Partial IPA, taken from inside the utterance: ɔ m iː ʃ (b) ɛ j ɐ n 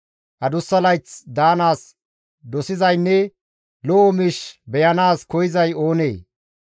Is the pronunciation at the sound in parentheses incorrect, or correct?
correct